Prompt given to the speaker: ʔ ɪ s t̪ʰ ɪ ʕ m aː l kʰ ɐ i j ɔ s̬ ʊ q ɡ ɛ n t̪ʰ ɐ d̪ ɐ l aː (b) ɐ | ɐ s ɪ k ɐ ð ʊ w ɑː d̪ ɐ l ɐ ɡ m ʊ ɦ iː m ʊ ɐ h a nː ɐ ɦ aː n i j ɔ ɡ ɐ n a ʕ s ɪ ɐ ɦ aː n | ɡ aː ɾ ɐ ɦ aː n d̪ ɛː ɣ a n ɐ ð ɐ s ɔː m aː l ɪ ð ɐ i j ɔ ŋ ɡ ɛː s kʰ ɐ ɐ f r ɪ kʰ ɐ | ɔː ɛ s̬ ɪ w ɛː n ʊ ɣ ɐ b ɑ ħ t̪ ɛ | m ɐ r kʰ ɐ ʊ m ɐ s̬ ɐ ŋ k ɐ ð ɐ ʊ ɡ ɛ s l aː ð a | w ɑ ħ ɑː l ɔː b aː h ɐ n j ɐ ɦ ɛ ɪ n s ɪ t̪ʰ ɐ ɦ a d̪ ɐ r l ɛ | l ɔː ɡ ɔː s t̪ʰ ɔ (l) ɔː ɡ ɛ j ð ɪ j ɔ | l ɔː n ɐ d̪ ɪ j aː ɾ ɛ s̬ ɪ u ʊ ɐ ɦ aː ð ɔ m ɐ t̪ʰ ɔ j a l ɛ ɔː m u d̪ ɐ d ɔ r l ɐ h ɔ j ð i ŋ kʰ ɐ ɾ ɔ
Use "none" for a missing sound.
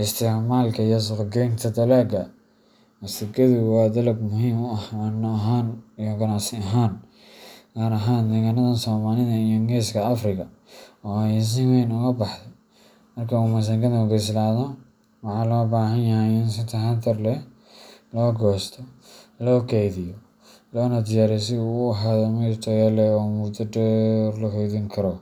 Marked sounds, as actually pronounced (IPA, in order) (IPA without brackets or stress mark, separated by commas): ɡ, l